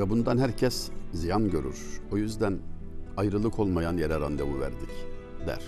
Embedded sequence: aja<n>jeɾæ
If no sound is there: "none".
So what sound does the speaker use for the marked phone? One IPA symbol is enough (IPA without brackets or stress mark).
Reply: n